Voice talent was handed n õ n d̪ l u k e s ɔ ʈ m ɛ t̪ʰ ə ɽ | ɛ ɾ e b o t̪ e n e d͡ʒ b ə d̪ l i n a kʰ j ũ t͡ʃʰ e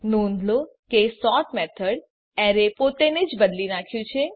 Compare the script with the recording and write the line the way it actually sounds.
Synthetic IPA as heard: n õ n d̪ l o k e s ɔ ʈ m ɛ t̪ʰ ə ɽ | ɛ ɾ e p o t̪ e n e d͡ʒ b ə d̪ l i n a kʰ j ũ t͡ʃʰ e